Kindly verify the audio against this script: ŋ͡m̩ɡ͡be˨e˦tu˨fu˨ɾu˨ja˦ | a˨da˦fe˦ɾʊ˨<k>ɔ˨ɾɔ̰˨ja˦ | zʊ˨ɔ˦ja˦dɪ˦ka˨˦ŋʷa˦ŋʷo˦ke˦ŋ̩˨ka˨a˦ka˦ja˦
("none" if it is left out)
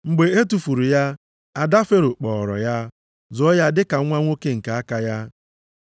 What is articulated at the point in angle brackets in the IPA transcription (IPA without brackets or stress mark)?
k͡p